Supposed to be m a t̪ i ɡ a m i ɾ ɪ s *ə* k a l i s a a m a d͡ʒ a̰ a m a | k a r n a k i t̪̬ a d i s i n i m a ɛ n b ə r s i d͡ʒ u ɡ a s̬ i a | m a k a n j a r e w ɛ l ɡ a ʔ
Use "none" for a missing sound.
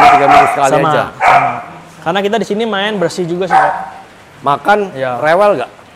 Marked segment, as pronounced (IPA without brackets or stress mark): ə